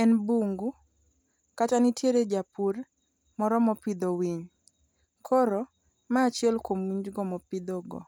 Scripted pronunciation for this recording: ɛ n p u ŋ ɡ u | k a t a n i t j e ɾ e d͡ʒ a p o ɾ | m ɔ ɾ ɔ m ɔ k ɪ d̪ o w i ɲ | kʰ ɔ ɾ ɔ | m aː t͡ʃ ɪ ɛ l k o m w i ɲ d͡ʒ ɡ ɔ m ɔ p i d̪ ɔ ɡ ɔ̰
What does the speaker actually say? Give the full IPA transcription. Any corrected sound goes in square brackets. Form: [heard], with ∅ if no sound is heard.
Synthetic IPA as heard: ɛ n [b] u ŋ ɡ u | k a t a n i t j e ɾ e d͡ʒ a p [u] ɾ | m ɔ ɾ ɔ m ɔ [p] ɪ d̪ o w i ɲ | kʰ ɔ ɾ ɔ | m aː t͡ʃ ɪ ɛ l k o m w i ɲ d͡ʒ ɡ ɔ m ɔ p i d̪ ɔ ɡ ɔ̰